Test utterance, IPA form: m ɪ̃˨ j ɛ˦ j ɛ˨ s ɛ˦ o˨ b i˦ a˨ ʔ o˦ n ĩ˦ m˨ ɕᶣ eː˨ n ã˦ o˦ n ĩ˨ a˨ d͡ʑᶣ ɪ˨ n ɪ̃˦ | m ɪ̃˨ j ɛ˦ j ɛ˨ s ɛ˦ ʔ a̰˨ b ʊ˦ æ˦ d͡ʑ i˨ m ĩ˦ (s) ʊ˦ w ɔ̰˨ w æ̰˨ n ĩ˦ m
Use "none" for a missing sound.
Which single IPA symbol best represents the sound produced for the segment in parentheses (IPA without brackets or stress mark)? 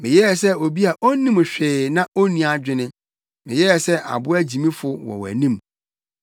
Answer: f